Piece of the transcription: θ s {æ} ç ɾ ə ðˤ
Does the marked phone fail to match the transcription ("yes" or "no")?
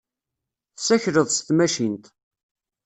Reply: no